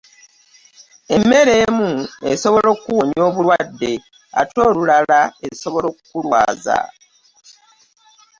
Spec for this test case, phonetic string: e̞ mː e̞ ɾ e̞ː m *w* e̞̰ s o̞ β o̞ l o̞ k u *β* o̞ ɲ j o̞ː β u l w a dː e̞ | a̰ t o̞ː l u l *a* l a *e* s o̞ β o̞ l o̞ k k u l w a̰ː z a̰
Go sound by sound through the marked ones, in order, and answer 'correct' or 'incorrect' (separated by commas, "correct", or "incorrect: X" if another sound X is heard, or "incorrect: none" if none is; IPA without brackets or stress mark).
incorrect: u, incorrect: w, correct, correct